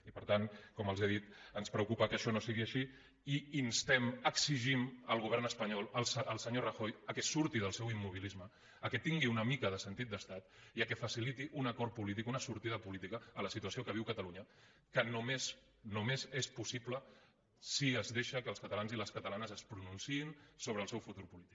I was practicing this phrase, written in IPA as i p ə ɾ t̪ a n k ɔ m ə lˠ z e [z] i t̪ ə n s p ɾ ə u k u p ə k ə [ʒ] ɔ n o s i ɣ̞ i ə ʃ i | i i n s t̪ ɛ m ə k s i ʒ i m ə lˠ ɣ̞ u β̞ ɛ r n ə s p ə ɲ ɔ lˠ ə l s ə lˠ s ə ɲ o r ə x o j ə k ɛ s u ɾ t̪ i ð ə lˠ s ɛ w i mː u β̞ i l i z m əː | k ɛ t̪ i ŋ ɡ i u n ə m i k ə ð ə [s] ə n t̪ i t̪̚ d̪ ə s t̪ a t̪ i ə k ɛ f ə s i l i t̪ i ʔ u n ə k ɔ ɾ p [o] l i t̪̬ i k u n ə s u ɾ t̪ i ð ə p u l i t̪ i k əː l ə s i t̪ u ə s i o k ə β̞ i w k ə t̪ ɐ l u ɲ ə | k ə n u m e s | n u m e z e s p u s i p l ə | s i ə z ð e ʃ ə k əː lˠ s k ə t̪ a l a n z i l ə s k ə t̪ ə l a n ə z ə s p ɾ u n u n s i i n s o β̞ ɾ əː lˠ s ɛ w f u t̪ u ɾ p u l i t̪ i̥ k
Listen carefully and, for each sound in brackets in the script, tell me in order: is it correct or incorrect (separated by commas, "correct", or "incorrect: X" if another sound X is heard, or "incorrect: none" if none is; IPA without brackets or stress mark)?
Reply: incorrect: ð, incorrect: ʃ, correct, incorrect: u